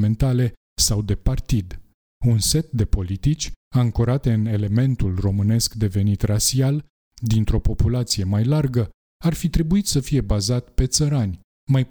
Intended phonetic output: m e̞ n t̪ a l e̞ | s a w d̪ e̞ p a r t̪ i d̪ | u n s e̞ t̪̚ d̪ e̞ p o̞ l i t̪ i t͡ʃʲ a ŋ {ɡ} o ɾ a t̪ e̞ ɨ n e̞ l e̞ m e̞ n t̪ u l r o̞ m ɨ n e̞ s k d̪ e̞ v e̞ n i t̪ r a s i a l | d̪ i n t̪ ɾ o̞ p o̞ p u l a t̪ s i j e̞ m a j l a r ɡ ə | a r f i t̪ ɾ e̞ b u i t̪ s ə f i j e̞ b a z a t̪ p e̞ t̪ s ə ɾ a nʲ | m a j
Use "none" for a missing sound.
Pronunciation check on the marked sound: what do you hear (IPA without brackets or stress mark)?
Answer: k